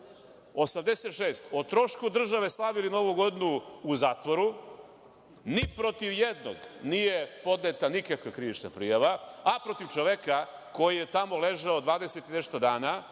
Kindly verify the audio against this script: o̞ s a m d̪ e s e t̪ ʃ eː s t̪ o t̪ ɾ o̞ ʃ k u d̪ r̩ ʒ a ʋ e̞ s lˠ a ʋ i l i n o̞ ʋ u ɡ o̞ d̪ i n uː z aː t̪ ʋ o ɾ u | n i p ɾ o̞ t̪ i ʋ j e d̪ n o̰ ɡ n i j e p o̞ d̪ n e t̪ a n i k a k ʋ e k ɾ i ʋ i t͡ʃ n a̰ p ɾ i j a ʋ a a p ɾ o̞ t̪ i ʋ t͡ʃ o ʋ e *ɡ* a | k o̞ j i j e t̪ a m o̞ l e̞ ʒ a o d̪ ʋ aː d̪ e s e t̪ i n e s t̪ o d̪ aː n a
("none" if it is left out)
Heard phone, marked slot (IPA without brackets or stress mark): k